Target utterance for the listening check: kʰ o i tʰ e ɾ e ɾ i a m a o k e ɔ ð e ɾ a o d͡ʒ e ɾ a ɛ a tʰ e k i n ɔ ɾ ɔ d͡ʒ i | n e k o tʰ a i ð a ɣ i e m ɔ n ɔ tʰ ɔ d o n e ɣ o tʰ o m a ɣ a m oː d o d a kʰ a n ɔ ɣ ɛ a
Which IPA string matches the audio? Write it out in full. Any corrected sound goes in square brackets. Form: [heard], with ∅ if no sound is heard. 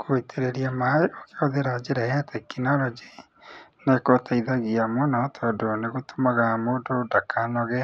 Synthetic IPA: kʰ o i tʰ e ɾ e ɾ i a m a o k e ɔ ð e ɾ a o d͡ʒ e ɾ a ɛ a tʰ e k i n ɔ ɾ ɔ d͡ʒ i | n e k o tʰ a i ð a ɣ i [a] m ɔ n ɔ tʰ ɔ d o n e ɣ o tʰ o m a ɣ a m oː d o d a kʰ a n ɔ ɣ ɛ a